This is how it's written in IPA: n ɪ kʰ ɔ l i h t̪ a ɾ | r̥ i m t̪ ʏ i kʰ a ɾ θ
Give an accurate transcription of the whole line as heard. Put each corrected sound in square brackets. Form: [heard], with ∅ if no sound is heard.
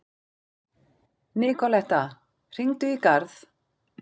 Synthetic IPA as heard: n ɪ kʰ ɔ l [ɛ] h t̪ a [∅] | r̥ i [ŋ] t̪ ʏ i [k] a ɾ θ